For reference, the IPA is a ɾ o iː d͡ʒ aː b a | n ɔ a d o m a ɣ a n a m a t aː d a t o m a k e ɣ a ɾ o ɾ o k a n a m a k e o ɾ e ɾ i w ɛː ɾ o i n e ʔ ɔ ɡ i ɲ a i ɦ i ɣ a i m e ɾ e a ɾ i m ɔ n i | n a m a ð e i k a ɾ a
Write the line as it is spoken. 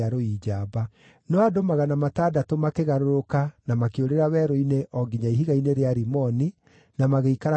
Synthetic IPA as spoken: a ɾ o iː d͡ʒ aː b a | n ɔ a d o m a ɣ a n a m a t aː d a t o m a k e ɣ a ɾ o ɾ o k a n a m a k e o ɾ e ɾ a w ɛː ɾ o i n e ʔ ɔ ɡ i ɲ a i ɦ i ɣ a i n e ɾ e a ɾ i m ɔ n i | n a m a ɣ e i k a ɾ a